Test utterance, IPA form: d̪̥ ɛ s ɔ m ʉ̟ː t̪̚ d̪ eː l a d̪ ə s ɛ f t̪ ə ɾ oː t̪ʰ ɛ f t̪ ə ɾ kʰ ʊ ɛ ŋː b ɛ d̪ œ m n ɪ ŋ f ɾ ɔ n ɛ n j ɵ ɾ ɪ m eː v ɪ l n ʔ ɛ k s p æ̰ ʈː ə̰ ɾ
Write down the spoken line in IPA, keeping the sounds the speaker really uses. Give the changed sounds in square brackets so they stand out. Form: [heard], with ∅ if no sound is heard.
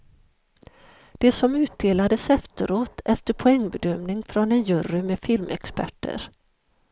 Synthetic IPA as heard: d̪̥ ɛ s ɔ m ʉ̟ː t̪̚ d̪ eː l a d̪ ə s ɛ f t̪ ə ɾ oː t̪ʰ ɛ f t̪ ə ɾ [pʰ] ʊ ɛ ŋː b ɛ d̪ œ m n ɪ ŋ f ɾ ɔ n ɛ n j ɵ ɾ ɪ m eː [f] ɪ l [m] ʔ ɛ k s p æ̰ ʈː ə̰ ɾ